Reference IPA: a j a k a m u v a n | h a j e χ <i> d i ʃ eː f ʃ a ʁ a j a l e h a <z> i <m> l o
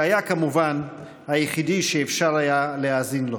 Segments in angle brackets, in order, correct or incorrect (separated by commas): correct, correct, incorrect